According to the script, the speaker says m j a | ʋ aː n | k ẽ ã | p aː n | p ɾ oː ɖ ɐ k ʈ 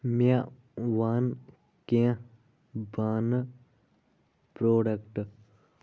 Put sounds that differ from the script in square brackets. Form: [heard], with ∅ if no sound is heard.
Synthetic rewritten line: m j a | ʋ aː n | k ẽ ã | [b] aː n | p ɾ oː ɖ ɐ k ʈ